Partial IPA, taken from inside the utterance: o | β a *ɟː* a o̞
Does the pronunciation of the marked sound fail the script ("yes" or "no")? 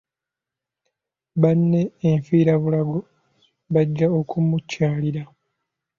no